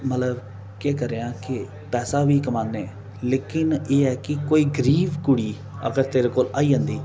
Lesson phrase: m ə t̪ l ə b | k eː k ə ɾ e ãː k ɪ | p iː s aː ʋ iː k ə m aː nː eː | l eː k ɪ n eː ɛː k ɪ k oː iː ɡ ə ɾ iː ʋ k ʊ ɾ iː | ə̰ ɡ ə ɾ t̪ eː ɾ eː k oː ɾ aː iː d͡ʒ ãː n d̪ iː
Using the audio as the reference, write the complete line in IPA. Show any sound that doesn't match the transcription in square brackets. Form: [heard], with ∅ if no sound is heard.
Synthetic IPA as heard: m ə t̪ l ə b | k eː k ə ɾ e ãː k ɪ | p [ɛː] s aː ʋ iː k ə m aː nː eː | l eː k ɪ n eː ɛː k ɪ k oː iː ɡ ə ɾ iː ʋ k ʊ [ɽ] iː | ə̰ ɡ ə ɾ t̪ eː ɾ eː k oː [l] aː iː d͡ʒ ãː n d̪ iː

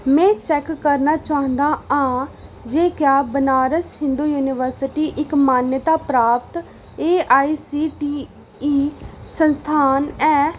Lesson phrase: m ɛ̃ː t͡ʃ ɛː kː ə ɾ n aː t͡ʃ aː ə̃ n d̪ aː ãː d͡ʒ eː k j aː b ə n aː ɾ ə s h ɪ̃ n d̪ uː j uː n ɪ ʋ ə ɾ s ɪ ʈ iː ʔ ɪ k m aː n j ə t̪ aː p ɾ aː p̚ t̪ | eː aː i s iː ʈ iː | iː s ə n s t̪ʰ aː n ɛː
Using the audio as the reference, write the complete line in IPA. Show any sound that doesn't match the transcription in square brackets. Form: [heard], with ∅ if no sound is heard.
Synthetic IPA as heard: m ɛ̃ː t͡ʃ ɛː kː ə ɾ n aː t͡ʃ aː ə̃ n d̪ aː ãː d͡ʒ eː k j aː b ə n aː ɾ ə s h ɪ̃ n d̪ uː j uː n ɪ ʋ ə ɾ s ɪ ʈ iː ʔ ɪ k m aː n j ə t̪ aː p ɾ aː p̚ t̪ | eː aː i s iː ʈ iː | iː s ə n s t̪ʰ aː n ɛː

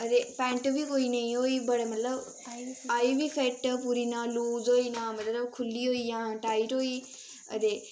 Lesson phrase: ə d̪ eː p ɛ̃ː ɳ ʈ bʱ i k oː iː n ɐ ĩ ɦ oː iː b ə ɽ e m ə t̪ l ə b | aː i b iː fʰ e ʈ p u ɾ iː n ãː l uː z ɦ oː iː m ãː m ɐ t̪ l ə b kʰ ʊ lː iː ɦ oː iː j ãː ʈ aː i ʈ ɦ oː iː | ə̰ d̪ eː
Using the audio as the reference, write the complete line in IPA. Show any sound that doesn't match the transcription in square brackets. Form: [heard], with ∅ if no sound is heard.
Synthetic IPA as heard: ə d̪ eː p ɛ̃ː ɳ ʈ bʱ i k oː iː n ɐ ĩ ɦ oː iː b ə ɽ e m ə t̪ l ə b | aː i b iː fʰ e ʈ p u ɾ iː n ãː l uː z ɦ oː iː [n] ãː m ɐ t̪ l ə b kʰ ʊ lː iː ɦ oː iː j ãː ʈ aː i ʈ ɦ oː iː | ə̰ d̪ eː

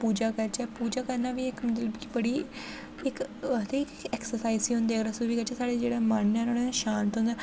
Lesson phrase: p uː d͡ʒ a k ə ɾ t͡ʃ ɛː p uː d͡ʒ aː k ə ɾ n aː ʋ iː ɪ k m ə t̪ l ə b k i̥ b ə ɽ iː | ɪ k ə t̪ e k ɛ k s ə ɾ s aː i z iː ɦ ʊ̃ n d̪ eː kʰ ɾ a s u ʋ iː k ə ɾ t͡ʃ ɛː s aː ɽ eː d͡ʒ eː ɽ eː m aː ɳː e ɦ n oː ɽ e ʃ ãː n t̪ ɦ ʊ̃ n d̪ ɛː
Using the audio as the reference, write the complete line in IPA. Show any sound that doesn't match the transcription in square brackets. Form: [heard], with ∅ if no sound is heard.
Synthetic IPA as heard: p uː d͡ʒ a k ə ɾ t͡ʃ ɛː p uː d͡ʒ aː k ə ɾ n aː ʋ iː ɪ k m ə t̪ l ə b k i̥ b ə ɽ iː | ɪ k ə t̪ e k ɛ k s ə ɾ s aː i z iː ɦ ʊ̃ n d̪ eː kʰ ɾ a s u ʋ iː k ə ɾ t͡ʃ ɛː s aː ɽ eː d͡ʒ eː ɽ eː m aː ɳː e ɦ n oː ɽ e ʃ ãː n t̪ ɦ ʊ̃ n d̪ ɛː

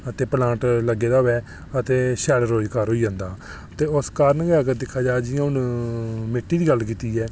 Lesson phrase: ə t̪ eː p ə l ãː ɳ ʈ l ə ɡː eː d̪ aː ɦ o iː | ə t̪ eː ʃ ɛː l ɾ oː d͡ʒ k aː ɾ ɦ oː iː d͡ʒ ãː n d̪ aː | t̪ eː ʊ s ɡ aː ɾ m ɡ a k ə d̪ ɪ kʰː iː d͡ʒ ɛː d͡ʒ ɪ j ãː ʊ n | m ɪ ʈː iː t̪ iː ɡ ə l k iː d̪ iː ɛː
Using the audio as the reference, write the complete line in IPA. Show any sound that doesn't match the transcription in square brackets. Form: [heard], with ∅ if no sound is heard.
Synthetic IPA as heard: ə t̪ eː p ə l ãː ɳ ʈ l ə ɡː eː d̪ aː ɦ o [ɛː] | ə t̪ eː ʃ ɛː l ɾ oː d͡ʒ k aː ɾ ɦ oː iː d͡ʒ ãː n d̪ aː | t̪ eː ʊ s [k] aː ɾ [n] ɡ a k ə d̪ ɪ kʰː [aː] d͡ʒ [aː] d͡ʒ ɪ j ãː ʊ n | m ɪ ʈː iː [d̪] iː ɡ ə l k iː [t̪] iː ɛː

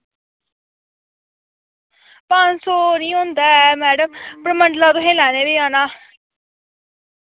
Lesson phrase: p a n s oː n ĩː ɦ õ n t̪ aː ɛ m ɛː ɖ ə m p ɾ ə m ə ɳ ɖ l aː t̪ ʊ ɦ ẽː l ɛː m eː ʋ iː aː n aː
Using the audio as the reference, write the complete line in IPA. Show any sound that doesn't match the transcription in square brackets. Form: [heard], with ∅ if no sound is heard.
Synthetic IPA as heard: p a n s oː n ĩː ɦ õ n [d̪] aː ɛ m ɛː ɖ ə m p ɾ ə m ə ɳ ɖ l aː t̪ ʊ ɦ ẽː l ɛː [n] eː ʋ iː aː n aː

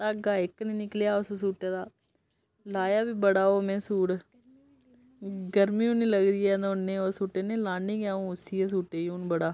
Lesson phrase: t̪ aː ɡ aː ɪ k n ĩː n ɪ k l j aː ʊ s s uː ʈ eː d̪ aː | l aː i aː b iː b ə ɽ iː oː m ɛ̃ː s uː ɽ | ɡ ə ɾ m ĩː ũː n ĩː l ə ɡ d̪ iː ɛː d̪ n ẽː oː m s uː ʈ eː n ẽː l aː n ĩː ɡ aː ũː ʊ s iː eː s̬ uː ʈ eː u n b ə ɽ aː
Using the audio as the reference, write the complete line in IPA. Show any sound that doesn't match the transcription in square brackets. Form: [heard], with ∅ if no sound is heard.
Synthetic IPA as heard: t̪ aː ɡ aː ɪ k n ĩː n ɪ k l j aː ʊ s s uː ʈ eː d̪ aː | l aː [j] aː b iː b ə ɽ [aː] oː m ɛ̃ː s uː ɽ | ɡ ə ɾ m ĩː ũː n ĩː l ə ɡ d̪ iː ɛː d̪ n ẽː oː [∅] s uː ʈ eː n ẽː l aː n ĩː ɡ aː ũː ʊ s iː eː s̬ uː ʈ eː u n b ə ɽ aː

